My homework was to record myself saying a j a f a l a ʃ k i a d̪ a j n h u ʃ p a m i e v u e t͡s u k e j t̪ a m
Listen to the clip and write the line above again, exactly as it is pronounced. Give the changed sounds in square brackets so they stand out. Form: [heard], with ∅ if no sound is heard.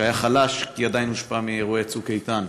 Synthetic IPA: a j a [χ] a l a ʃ k i a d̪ a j n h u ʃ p a m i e [ʁ] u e t͡s u k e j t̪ a [n]